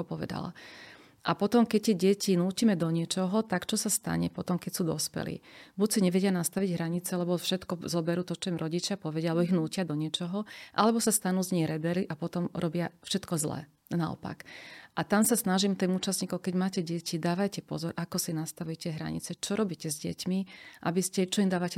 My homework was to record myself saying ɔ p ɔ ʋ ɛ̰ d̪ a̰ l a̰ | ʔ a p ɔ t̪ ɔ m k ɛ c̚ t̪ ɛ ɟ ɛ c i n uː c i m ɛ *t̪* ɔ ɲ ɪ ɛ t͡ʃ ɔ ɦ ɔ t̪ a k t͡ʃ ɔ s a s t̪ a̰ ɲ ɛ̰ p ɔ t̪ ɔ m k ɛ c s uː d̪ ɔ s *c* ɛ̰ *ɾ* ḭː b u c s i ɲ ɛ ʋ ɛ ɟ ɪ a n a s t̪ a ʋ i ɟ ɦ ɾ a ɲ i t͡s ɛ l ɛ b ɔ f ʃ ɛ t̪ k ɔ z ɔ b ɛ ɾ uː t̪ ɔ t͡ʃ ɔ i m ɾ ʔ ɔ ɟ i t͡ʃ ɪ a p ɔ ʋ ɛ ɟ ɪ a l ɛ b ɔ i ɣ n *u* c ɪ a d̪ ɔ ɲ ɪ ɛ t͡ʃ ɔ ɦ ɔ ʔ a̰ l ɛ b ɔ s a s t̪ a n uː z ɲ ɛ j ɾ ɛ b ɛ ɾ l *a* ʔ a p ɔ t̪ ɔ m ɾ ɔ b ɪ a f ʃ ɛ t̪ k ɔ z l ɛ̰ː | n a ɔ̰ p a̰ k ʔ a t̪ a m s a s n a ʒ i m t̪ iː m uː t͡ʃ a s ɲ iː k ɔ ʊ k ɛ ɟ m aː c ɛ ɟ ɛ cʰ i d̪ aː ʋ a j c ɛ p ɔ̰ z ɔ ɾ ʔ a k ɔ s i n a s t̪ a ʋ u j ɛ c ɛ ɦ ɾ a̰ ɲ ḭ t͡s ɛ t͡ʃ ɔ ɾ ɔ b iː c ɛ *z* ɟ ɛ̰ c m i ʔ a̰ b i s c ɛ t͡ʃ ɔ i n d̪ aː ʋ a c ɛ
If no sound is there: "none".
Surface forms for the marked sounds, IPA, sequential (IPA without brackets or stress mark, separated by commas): d̪, p, l, uː, i, z